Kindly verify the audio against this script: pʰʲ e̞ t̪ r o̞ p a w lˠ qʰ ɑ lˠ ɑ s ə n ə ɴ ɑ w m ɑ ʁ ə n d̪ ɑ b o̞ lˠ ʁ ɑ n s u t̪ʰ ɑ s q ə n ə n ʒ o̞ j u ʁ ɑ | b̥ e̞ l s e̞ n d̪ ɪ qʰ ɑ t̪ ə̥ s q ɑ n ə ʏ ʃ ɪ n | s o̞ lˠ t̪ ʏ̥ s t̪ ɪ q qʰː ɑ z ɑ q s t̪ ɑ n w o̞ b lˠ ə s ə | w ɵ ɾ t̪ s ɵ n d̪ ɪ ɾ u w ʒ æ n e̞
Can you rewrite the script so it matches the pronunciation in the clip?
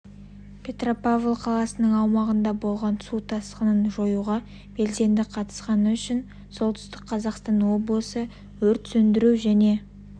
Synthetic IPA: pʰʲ e̞ t̪ r o̞ p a v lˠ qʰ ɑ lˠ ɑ s ə n ə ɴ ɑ w m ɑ ʁ ə n d̪ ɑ b o̞ lˠ ʁ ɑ n s u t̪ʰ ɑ s q ə n ə n ʒ o̞ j u ʁ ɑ | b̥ e̞ l s e̞ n d̪ ɪ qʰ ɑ t̪ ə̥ s q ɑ n ə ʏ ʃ ɪ n | s o̞ lˠ t̪ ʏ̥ s t̪ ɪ q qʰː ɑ z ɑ q s t̪ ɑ n w o̞ b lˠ ə s ə | w ɵ ɾ t̪ s ɵ n d̪ ɪ ɾ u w ʒ æ n e̞